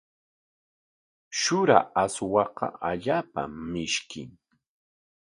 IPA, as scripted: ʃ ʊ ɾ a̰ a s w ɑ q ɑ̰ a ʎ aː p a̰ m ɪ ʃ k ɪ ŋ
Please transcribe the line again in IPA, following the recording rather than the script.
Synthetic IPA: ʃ ʊ ɾ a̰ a s w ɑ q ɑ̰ a ʎ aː p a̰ m ɪ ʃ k ɪ ŋ